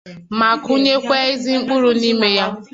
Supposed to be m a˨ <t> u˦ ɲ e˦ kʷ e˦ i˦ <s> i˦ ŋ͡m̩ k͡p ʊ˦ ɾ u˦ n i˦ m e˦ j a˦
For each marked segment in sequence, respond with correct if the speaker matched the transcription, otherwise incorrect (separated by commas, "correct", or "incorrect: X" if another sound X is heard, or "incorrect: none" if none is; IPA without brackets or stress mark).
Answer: incorrect: k, incorrect: z